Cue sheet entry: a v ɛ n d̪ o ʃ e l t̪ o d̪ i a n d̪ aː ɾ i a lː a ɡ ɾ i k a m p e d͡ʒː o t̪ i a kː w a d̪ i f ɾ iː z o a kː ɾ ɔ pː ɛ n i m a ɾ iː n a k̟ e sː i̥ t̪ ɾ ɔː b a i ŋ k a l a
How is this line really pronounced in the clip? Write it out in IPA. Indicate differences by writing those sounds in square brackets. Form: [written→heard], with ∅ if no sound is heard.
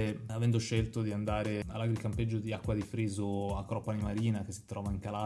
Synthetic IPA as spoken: a v ɛ n d̪ o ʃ e l t̪ o d̪ i a n d̪ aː ɾ [i→e] a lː a ɡ ɾ i k a m p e d͡ʒː o [t̪→d̪] i a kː w a d̪ i f ɾ iː z o a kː ɾ ɔ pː [ɛ→a] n i m a ɾ iː n a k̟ e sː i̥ t̪ ɾ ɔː [b→v] a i ŋ k a l a

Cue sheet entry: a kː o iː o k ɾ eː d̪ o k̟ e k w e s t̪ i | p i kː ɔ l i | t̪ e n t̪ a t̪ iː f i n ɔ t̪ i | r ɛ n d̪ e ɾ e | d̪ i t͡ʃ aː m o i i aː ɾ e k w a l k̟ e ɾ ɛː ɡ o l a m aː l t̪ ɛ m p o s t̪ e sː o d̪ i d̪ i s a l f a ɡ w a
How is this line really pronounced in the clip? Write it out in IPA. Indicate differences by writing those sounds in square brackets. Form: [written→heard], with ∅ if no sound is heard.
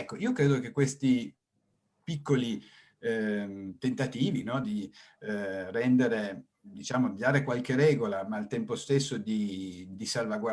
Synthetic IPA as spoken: [a→ɛ] kː o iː o k ɾ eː d̪ o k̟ e k w e s t̪ i | p i kː [ɔ→o] l i | t̪ e n t̪ a t̪ iː [f→v] i n ɔ [t̪→d̪] i | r ɛ n d̪ e ɾ e | d̪ i t͡ʃ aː m o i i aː ɾ e k w a l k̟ e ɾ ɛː ɡ o l a m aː l t̪ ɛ m p o s t̪ e sː o d̪ i d̪ i s a l [f→v] a ɡ w a

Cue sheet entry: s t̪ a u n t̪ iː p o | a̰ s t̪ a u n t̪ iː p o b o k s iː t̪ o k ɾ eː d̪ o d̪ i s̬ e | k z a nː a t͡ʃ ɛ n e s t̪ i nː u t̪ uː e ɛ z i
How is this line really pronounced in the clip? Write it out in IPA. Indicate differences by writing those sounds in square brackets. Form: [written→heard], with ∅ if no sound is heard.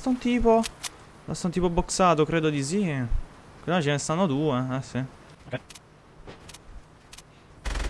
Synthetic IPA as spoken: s t̪ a u n t̪ iː p o | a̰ s t̪ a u n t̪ iː p o b o k s [iː→aː] t̪ o k ɾ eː d̪ o d̪ i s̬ [e→i] | k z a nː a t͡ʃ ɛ n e s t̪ [i→a] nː [u→o] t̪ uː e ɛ [z→s] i

